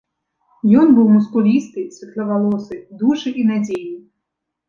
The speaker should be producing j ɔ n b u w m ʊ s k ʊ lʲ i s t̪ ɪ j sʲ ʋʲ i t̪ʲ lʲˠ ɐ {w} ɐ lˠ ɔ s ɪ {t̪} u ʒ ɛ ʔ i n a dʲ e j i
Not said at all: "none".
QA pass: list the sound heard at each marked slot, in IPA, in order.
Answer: ʋ, d̪

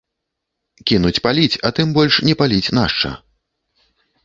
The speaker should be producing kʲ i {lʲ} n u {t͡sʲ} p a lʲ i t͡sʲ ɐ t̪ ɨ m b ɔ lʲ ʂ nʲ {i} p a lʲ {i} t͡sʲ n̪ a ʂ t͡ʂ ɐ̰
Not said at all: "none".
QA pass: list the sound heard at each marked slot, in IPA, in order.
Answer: none, t͡sʲ, ɛ, i

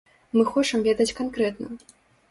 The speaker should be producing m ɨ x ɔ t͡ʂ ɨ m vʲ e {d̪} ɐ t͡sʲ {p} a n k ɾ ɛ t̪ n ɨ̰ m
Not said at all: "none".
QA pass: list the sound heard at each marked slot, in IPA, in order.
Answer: d̪, k

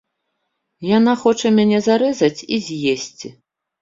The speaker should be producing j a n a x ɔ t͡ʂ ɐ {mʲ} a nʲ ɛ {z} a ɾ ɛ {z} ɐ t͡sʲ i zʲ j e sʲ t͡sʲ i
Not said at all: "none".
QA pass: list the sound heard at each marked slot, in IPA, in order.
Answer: mʲ, z, z

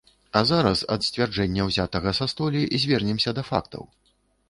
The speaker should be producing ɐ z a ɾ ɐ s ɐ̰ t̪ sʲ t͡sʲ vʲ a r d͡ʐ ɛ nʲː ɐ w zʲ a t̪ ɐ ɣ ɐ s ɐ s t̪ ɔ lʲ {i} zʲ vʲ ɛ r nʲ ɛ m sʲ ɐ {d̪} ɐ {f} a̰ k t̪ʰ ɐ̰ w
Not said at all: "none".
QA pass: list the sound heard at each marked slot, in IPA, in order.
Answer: i, d̪, f

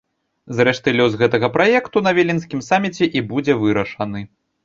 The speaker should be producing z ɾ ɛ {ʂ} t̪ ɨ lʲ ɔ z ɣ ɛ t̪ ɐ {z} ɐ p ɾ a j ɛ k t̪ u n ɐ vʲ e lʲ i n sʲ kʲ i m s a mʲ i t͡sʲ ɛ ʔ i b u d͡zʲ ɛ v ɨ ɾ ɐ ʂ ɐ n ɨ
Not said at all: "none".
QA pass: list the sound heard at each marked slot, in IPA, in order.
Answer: ʂ, ɣ

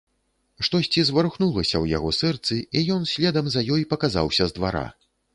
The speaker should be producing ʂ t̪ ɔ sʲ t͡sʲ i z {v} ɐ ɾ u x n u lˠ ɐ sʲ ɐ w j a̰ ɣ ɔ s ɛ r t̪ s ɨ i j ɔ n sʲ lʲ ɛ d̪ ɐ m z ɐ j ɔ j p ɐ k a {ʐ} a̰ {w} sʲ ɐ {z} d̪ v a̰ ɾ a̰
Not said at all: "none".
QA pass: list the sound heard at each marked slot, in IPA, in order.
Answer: v, z, w, z

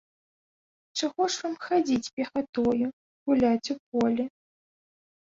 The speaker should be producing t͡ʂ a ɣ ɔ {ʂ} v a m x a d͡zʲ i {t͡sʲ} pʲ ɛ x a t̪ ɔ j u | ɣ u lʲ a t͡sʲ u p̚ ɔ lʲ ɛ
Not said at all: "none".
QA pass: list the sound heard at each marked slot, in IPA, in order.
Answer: ʂ, t͡sʲ

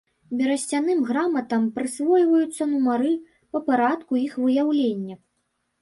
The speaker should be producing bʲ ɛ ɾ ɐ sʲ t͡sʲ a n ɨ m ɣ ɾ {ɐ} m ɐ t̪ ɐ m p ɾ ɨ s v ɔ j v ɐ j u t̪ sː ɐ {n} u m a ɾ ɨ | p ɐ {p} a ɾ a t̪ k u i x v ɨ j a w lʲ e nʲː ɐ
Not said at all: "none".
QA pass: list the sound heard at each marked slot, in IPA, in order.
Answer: a, n, p

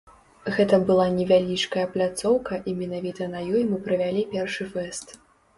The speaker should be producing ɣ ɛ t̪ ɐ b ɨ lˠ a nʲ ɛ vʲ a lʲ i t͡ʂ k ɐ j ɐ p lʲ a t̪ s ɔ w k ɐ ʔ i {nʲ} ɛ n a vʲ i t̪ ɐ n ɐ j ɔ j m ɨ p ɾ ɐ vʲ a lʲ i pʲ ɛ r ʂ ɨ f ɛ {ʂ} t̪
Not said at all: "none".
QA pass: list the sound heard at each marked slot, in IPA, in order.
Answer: mʲ, s

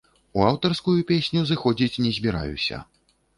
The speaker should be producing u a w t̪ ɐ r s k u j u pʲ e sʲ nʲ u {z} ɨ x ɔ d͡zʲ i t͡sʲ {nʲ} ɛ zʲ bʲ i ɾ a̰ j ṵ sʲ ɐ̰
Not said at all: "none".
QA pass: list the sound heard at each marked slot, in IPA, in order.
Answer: z, nʲ

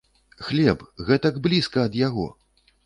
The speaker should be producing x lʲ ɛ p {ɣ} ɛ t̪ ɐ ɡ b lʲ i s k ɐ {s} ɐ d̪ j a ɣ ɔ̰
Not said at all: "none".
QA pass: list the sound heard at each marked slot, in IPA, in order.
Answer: ɣ, none

